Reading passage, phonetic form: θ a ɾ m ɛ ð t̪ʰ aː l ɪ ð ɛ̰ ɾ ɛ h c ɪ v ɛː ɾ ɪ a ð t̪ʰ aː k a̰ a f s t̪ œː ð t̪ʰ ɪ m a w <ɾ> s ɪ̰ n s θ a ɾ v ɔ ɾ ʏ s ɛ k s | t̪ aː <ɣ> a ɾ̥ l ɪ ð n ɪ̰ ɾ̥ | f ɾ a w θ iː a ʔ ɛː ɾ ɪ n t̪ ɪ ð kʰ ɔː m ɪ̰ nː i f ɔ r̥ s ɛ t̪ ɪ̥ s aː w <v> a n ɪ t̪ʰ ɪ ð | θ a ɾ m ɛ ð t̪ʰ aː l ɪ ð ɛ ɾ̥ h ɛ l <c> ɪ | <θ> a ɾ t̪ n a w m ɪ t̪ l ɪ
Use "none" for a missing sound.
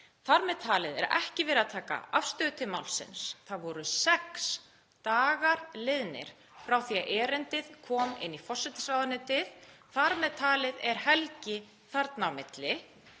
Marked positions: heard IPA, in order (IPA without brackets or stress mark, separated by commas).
l, ɣ, ð, c, θ